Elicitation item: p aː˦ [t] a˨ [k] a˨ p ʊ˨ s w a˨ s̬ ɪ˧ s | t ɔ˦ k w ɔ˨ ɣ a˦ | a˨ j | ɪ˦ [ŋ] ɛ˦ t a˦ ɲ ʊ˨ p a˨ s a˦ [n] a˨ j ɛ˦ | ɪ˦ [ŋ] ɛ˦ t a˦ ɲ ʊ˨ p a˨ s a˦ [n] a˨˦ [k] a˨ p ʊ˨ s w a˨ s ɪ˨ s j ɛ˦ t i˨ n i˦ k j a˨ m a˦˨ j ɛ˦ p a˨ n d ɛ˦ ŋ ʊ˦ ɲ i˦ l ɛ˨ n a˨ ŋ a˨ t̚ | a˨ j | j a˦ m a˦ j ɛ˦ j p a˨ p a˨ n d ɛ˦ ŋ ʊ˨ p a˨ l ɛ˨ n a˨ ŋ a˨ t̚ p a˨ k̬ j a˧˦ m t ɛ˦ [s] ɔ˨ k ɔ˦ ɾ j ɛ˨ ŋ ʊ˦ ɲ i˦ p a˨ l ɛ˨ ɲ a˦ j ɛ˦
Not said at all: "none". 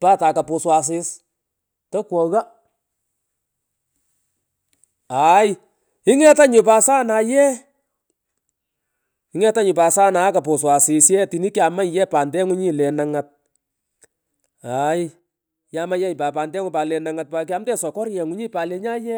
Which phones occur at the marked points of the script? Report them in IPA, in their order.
t, k, ŋ, n, ŋ, n, k, s

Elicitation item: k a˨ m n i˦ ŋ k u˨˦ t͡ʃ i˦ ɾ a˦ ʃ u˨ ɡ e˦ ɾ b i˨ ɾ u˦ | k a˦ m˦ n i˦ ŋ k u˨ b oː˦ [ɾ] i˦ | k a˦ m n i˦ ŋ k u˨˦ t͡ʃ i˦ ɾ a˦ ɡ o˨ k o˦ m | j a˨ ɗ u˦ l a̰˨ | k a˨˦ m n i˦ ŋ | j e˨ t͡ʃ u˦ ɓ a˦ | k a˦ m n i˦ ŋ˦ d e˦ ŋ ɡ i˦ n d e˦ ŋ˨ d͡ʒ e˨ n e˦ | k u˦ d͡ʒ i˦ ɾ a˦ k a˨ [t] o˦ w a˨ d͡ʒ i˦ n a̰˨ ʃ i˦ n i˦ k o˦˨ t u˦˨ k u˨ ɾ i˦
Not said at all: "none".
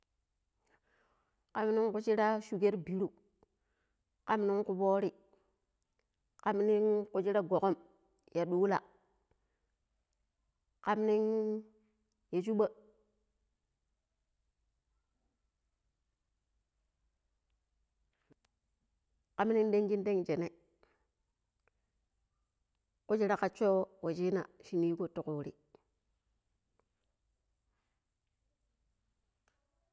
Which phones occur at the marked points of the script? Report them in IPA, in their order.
ɾ, t͡ʃ

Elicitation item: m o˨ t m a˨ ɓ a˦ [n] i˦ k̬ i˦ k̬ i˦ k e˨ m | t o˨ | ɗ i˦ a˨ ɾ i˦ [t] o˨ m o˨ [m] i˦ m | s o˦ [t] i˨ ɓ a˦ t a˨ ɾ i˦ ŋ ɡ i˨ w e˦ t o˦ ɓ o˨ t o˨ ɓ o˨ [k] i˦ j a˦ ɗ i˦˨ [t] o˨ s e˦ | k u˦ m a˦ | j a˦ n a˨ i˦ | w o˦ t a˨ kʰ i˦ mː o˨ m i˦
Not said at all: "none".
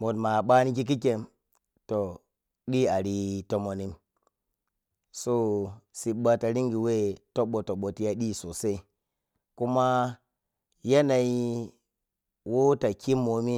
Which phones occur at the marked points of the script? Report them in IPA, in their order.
n, t, n, s, t, s

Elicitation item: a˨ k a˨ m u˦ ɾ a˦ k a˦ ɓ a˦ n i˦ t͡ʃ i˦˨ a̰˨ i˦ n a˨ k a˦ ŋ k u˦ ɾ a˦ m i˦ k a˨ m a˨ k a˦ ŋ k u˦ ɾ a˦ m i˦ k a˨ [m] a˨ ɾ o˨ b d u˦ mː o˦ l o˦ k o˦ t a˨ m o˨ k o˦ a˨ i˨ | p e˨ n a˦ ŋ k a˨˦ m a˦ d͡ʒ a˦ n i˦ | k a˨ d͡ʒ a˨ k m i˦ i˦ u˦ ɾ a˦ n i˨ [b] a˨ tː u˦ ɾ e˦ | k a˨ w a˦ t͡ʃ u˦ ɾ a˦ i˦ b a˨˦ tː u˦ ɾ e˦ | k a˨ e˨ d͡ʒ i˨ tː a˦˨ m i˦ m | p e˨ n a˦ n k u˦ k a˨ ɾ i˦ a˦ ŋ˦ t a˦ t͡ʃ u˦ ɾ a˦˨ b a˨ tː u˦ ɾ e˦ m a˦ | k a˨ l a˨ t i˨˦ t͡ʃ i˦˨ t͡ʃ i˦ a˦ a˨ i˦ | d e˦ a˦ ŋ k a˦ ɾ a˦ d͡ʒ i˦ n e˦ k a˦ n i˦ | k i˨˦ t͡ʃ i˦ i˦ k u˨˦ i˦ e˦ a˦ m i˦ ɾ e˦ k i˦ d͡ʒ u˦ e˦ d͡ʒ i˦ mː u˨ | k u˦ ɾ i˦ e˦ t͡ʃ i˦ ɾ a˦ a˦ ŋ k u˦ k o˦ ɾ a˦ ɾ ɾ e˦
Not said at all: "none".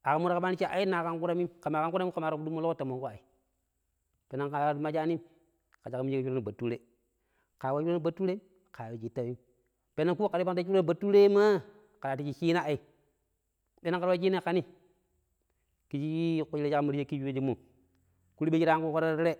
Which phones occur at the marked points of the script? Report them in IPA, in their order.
m, b

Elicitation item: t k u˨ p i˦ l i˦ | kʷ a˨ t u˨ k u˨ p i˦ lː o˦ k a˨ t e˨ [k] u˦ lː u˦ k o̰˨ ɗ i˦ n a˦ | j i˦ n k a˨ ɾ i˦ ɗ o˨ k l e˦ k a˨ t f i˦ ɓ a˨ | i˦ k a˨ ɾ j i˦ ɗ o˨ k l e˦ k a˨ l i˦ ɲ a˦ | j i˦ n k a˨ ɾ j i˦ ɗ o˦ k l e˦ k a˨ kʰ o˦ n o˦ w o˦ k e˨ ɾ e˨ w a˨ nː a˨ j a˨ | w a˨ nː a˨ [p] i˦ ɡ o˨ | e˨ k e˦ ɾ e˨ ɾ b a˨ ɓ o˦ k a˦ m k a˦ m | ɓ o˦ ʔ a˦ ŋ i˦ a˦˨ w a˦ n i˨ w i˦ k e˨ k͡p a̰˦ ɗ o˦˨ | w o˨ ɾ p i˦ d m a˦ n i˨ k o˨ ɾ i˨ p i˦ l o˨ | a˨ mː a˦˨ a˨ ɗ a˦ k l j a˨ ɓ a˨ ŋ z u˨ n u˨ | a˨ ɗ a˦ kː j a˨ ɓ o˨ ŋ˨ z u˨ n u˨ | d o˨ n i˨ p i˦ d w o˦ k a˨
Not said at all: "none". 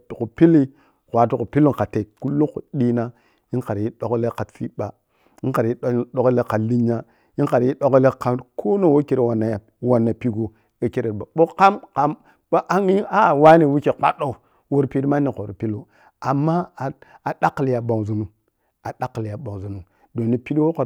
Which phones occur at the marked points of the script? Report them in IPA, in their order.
k, p

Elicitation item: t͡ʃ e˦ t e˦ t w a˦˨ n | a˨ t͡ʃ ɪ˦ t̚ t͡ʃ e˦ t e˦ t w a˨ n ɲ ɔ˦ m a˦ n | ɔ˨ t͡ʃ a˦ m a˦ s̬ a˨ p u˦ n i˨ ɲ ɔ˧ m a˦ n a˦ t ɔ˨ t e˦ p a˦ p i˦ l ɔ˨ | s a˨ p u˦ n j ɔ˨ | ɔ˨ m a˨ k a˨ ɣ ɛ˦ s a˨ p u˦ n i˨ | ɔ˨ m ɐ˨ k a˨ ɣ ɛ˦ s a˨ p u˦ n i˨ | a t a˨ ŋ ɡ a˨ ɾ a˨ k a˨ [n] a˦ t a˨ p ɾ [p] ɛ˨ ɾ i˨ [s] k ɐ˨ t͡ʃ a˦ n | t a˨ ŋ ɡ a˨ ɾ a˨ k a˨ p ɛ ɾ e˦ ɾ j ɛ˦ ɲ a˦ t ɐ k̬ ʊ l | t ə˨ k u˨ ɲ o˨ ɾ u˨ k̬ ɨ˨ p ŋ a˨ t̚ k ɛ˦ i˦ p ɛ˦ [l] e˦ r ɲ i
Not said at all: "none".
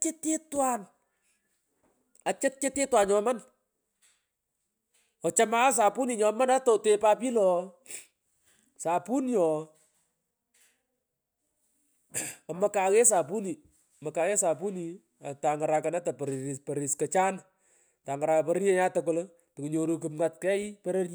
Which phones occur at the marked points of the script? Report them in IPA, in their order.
n, p, s, ɾ

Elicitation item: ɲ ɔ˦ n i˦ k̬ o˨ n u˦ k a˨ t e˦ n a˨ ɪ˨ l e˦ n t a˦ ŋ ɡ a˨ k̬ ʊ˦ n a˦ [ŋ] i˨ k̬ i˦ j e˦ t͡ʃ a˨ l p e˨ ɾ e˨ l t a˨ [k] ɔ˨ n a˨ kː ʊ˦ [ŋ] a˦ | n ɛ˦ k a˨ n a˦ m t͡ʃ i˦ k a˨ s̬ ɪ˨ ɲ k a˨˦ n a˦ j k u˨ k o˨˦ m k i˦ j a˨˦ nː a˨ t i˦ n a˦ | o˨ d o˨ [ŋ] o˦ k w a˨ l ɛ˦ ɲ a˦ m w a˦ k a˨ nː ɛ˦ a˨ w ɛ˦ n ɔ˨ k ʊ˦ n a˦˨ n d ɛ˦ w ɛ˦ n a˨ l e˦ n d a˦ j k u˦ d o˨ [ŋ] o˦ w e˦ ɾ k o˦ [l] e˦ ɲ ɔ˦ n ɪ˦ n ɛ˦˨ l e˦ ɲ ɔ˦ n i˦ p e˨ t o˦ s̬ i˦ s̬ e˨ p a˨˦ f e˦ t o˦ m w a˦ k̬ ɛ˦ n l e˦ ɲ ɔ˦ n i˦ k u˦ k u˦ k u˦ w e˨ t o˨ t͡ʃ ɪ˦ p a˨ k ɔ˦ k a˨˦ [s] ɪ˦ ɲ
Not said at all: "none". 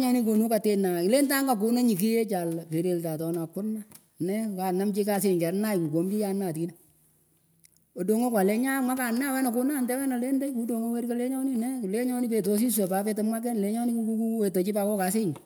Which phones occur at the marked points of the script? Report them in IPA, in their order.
ɲ, t, n, ŋ, ŋ, l, s

